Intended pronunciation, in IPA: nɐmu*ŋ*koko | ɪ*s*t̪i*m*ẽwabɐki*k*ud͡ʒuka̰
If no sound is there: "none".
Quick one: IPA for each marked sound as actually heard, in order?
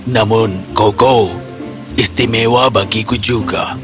n, s, m, k

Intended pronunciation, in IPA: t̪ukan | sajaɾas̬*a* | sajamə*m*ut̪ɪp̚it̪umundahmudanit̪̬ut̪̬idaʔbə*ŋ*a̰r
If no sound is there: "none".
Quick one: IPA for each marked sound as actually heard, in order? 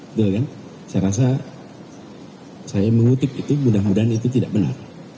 a, ŋ, n

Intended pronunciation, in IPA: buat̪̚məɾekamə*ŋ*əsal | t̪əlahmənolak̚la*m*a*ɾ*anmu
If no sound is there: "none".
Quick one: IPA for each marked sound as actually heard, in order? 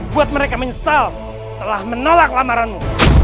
ɲ, m, ɾ

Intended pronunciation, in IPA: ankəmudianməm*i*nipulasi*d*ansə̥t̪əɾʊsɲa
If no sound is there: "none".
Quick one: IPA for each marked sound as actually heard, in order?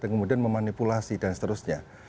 a, d

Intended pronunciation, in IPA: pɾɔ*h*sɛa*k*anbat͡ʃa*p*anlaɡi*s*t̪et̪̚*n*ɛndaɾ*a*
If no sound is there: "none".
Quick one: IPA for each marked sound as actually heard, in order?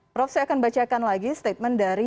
f, k, k, s, m, i

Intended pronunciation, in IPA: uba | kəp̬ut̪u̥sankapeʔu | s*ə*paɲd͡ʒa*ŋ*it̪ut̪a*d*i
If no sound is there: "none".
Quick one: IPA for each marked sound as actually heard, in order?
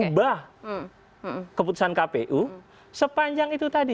ə, ŋ, d

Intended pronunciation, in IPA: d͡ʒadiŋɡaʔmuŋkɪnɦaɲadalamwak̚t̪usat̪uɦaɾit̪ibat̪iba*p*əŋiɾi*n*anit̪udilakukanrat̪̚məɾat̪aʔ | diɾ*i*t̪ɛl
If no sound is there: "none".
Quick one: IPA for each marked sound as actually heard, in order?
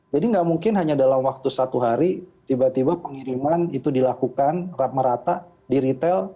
p, m, i

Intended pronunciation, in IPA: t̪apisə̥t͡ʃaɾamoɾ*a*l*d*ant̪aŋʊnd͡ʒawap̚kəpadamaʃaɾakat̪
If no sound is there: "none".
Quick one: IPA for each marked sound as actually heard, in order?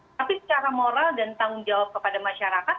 a, d

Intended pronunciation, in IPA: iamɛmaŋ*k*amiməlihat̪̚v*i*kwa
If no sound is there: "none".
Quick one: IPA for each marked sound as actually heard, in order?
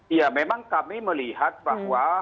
k, a

